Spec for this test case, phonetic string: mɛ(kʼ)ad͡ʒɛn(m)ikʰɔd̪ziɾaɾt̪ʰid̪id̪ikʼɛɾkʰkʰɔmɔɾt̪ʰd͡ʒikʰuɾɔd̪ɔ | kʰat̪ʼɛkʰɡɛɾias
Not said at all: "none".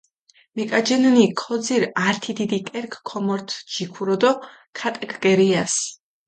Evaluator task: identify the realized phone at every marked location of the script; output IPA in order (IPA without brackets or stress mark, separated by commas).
kʼ, n